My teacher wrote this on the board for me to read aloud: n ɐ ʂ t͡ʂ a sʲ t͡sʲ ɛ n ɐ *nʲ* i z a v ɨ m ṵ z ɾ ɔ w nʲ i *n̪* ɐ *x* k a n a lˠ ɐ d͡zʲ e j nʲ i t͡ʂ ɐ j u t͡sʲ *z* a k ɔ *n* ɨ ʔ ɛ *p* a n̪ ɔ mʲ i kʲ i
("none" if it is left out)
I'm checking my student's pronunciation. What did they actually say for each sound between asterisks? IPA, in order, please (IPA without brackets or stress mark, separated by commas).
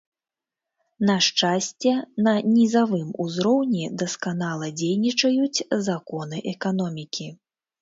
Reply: nʲ, d̪, s, z, n, k